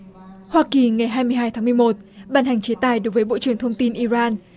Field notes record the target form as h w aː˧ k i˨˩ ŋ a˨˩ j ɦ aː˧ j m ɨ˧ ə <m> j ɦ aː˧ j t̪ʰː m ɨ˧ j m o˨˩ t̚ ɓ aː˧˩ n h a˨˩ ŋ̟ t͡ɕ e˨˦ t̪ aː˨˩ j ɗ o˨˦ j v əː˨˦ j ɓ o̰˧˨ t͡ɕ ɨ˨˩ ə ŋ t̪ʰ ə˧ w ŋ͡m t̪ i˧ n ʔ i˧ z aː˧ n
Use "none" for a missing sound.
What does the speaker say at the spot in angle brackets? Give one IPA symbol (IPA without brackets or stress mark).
none